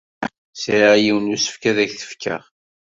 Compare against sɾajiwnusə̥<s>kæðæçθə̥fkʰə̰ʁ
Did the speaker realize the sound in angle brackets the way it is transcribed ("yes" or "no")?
no